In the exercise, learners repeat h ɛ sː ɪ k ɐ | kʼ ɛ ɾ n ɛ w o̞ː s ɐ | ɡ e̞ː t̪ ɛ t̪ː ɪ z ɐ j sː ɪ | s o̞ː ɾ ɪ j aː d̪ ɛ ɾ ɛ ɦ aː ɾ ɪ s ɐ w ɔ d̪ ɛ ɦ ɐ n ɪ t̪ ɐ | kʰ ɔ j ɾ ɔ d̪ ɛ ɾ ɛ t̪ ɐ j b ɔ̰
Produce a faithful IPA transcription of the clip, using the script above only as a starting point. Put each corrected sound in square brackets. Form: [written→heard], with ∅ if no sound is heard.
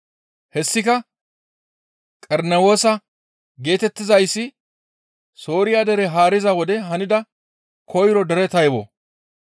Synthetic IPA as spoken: h ɛ sː ɪ k ɐ | kʼ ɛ ɾ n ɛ w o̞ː s ɐ | ɡ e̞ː t̪ ɛ t̪ː ɪ z ɐ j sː ɪ | s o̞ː ɾ ɪ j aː d̪ ɛ ɾ ɛ ɦ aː ɾ ɪ [s→z] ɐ w ɔ d̪ ɛ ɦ ɐ n ɪ [t̪→d̪] ɐ | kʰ ɔ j ɾ ɔ d̪ ɛ ɾ ɛ t̪ ɐ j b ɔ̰

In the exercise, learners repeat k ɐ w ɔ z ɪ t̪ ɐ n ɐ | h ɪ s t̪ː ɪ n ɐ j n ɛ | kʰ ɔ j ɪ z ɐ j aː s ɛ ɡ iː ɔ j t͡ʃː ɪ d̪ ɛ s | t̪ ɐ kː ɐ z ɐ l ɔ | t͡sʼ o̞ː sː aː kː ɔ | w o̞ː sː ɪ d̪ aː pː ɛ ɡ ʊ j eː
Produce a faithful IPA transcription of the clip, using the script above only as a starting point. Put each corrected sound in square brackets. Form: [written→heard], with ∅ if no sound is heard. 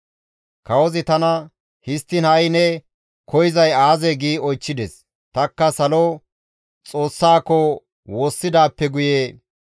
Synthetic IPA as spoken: k ɐ w ɔ z ɪ t̪ ɐ n ɐ | h ɪ s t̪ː ɪ n ɐ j n ɛ | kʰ ɔ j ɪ z ɐ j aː [s→z] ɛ ɡ iː ɔ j t͡ʃː ɪ d̪ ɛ s | t̪ ɐ kː ɐ [z→s] ɐ l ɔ | t͡sʼ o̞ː sː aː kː ɔ | w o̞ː sː ɪ d̪ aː pː ɛ ɡ ʊ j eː

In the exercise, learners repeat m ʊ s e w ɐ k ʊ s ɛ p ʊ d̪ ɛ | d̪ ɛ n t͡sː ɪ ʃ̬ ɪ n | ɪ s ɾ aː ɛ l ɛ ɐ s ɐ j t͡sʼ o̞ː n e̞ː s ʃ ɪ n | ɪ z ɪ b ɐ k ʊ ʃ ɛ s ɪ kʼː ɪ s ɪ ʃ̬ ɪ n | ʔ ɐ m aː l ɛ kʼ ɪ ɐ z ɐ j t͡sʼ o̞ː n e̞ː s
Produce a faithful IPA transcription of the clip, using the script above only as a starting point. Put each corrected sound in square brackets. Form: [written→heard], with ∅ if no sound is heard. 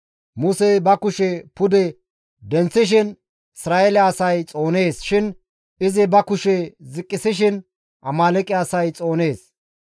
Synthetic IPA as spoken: m ʊ s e [w→b] ɐ k ʊ [s→ʃ] ɛ p ʊ d̪ ɛ | d̪ ɛ n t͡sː ɪ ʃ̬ ɪ n | ɪ s ɾ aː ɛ l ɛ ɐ s ɐ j t͡sʼ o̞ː n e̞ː s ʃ ɪ n | ɪ z ɪ b ɐ k ʊ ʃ ɛ [s→z] ɪ kʼː ɪ s ɪ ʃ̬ ɪ n | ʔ ɐ m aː l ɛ kʼ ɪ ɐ [z→s] ɐ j t͡sʼ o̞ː n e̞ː s

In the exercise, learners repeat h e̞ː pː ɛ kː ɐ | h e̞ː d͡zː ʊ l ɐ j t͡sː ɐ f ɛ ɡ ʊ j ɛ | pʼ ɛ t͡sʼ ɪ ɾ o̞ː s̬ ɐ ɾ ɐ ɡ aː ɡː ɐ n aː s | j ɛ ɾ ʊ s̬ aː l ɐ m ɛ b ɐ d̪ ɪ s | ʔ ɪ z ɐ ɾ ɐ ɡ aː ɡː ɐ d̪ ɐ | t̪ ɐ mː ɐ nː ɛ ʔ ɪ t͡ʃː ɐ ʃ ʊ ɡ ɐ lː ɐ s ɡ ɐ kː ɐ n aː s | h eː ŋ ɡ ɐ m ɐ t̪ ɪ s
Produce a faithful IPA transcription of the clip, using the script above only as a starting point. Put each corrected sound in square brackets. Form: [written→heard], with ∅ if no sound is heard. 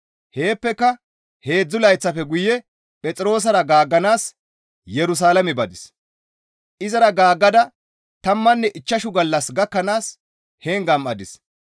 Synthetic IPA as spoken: h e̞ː pː ɛ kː ɐ | h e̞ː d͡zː ʊ l ɐ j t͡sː ɐ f ɛ ɡ ʊ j ɛ | pʼ ɛ t͡sʼ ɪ ɾ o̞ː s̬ ɐ ɾ ɐ ɡ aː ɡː ɐ n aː s | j ɛ ɾ ʊ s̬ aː l ɐ m ɛ b ɐ d̪ ɪ s | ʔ ɪ z ɐ ɾ ɐ ɡ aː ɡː ɐ d̪ ɐ | t̪ ɐ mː ɐ nː ɛ ʔ ɪ t͡ʃː ɐ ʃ ʊ ɡ ɐ lː ɐ s ɡ ɐ kː ɐ n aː s | h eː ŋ ɡ ɐ m ɐ [t̪→d̪] ɪ s

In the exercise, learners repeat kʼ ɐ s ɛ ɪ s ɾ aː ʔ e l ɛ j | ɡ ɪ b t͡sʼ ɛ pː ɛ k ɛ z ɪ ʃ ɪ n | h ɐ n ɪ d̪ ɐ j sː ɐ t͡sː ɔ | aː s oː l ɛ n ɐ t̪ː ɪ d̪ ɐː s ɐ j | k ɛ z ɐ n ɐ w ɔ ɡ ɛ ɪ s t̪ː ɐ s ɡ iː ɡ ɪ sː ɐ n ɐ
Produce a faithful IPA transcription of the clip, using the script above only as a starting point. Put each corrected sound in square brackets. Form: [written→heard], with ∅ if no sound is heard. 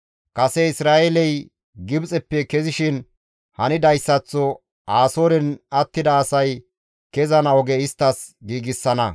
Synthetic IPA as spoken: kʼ ɐ s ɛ ɪ s ɾ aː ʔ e l ɛ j | ɡ ɪ b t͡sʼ ɛ pː ɛ k ɛ z ɪ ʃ ɪ n | h ɐ n ɪ d̪ ɐ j sː ɐ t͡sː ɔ | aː s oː [l→ɾ] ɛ n ɐ t̪ː ɪ d̪ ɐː s ɐ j | k ɛ z ɐ n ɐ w ɔ ɡ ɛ ɪ s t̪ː ɐ s ɡ iː ɡ ɪ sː ɐ n ɐ

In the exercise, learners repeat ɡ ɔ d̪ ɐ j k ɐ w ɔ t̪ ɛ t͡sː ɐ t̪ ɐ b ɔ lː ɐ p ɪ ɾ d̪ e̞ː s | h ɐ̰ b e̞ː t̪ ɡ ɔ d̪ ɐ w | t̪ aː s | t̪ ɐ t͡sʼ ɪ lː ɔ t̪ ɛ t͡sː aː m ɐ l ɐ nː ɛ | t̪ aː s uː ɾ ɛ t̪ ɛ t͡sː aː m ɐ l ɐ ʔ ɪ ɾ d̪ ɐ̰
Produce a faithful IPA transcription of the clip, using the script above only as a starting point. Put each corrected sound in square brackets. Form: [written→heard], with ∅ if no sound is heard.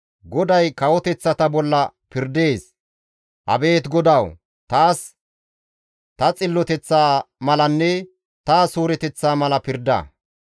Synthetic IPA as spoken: ɡ ɔ d̪ ɐ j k ɐ w ɔ t̪ ɛ t͡sː ɐ t̪ ɐ b ɔ lː ɐ p ɪ ɾ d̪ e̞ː s | h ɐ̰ b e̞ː t̪ ɡ ɔ d̪ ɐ w | t̪ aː s | t̪ ɐ t͡sʼ ɪ lː ɔ t̪ ɛ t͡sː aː m ɐ l ɐ nː ɛ | t̪ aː s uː ɾ ɛ t̪ ɛ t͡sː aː m ɐ l ɐ [ʔ→p] ɪ ɾ d̪ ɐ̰

